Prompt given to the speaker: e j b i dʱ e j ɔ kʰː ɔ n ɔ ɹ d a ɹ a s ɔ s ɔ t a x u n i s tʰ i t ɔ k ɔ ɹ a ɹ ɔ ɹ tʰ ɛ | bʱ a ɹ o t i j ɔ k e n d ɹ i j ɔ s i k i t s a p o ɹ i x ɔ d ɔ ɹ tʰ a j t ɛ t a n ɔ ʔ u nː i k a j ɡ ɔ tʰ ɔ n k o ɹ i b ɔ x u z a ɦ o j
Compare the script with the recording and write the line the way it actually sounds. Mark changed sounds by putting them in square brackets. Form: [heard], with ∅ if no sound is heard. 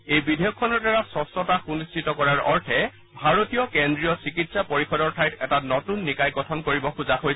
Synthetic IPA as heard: e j b i dʱ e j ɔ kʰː ɔ n ɔ ɹ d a ɹ a s ɔ s ɔ t a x u n i s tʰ i t ɔ k ɔ ɹ a ɹ ɔ ɹ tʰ ɛ | bʱ a ɹ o t i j ɔ k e n d ɹ i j ɔ s i k i t s a p o ɹ i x ɔ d ɔ ɹ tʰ a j t ɛ t a n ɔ [t] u nː i k a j ɡ ɔ tʰ ɔ n k o ɹ i b ɔ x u z a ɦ o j